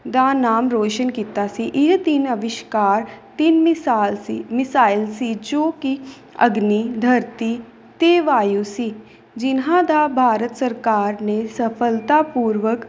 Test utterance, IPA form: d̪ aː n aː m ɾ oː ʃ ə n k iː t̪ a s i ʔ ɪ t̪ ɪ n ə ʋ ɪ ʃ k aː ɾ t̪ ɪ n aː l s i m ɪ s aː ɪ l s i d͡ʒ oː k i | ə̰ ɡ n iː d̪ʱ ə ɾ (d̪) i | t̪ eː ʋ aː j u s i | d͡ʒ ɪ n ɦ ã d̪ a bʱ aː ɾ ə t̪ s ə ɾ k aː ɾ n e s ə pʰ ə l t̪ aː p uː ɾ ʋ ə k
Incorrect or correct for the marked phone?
incorrect: t̪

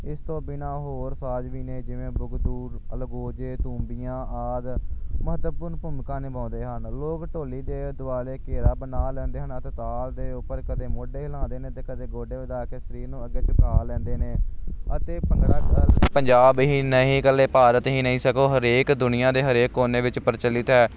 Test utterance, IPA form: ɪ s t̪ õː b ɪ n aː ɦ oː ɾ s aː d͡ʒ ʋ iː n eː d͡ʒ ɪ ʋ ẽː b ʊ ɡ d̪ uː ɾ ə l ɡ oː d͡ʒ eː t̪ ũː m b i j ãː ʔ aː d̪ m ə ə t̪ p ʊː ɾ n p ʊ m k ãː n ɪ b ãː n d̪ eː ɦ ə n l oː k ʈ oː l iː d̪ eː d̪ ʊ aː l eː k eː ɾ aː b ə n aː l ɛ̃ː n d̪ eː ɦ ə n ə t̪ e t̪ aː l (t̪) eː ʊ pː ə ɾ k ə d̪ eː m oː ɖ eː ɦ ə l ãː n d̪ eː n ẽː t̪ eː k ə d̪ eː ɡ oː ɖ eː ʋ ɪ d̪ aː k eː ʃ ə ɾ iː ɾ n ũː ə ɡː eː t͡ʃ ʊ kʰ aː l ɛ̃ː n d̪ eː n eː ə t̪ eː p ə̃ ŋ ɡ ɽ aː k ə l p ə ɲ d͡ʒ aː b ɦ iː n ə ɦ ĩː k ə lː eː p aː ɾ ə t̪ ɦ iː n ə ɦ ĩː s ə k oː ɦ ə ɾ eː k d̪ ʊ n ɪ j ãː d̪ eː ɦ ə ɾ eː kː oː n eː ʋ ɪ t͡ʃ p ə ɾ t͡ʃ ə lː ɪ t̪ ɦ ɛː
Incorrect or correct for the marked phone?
incorrect: d̪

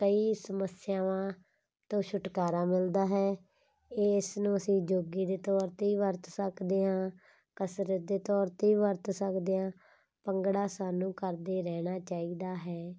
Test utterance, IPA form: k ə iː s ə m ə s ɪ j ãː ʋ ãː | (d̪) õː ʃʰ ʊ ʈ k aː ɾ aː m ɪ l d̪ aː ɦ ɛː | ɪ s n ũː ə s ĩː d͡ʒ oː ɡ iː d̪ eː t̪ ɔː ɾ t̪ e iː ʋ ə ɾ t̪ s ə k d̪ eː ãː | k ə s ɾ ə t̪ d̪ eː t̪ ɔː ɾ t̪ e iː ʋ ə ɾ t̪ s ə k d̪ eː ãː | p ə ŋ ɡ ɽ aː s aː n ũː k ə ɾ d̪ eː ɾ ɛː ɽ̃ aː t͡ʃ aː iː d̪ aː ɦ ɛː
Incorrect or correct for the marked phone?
incorrect: t̪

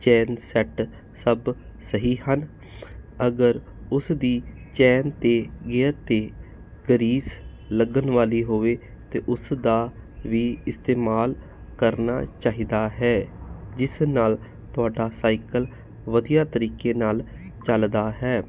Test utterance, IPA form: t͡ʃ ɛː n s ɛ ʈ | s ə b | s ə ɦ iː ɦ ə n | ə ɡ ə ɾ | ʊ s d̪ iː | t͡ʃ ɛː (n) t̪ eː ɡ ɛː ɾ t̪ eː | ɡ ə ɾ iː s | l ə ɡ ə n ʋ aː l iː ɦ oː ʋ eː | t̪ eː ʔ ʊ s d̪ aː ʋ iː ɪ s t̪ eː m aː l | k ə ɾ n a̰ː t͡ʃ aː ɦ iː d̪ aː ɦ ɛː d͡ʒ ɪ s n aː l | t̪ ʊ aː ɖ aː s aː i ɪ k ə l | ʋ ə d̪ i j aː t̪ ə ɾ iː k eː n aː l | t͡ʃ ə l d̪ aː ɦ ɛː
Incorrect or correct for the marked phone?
correct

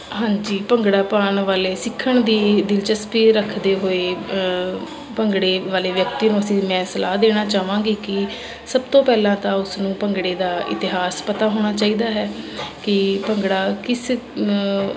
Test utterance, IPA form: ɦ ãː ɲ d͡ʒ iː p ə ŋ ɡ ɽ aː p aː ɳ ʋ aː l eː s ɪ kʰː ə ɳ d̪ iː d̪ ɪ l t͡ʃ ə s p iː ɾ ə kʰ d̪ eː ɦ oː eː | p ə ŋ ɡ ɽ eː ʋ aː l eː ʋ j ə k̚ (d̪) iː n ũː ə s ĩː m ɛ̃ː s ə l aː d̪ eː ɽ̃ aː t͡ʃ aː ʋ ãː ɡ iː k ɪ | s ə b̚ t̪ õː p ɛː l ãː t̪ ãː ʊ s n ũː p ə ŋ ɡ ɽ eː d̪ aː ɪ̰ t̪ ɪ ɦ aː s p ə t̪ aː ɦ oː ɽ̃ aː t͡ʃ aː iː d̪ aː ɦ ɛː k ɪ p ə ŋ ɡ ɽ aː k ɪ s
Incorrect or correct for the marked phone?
incorrect: t̪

